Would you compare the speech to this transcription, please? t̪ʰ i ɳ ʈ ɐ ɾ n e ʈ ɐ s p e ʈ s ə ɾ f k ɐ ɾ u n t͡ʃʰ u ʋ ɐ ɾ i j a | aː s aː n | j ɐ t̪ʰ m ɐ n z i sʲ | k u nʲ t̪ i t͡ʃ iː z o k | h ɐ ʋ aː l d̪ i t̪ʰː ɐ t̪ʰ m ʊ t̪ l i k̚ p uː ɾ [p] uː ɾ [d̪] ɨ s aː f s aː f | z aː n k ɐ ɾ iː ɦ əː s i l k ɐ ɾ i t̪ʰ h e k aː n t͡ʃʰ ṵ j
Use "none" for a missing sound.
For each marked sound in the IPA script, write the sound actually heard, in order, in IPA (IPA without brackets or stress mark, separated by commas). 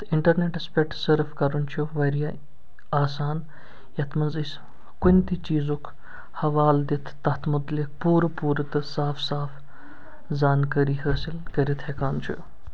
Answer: p, t̪